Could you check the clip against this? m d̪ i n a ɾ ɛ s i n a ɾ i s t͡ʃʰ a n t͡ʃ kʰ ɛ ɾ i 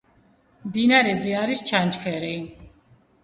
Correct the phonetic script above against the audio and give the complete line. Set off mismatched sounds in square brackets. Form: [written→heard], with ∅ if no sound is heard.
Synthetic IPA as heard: m d̪ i n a ɾ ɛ [s→z] i [n→∅] a ɾ i s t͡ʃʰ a n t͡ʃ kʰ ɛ ɾ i